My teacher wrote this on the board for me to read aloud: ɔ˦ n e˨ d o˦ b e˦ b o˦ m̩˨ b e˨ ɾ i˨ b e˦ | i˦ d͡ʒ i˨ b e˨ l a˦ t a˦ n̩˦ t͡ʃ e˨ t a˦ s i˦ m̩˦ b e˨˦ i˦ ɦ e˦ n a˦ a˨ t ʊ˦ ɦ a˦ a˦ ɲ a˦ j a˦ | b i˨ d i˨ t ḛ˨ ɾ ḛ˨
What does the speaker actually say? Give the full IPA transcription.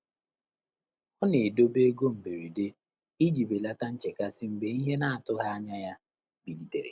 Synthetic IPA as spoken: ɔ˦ n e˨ d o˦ b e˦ ɡ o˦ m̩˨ b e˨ ɾ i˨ d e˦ | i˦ d͡ʒ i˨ b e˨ l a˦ t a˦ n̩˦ t͡ʃ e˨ k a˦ s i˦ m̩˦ b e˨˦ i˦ ɦ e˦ n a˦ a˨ t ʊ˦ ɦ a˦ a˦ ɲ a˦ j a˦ | b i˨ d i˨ t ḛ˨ ɾ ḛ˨